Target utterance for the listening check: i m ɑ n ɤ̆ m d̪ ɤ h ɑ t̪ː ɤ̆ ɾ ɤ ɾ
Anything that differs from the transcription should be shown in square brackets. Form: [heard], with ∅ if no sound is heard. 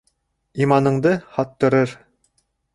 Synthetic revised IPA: i m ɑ n ɤ̆ [ɴ] d̪ ɤ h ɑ t̪ː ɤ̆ ɾ ɤ ɾ